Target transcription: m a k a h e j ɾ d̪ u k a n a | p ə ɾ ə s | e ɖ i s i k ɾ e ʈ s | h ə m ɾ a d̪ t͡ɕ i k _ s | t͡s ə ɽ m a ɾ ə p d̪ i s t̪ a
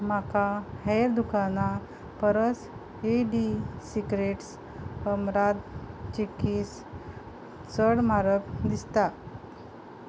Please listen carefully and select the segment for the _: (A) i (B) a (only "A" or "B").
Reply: A